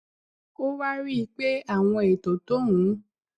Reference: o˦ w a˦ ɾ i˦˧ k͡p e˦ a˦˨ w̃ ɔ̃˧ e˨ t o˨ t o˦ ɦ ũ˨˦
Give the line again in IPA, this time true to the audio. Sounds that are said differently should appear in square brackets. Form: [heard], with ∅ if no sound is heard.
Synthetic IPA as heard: o˦ w a˦ ɾ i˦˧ k͡p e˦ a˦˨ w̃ ɔ̃˧ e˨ t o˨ t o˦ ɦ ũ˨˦